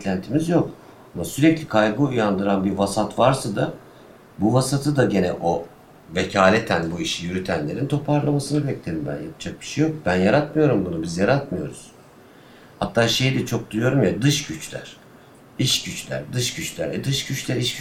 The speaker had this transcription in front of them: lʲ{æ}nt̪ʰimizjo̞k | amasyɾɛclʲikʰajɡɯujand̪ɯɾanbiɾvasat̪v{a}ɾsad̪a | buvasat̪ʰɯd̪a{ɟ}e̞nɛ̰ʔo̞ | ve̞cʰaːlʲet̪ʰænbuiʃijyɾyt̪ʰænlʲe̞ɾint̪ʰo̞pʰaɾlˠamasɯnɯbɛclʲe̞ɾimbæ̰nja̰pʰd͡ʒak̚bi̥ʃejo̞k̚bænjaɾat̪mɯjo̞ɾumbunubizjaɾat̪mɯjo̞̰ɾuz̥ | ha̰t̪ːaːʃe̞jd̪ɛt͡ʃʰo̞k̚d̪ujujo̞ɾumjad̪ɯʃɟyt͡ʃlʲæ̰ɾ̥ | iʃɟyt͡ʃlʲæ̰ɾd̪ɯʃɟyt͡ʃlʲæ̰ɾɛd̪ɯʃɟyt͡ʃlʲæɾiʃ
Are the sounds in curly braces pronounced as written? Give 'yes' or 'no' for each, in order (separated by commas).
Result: yes, yes, yes